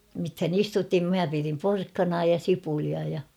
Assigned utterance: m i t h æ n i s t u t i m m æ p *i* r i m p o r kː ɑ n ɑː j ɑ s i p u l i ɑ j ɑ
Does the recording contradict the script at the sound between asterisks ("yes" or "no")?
no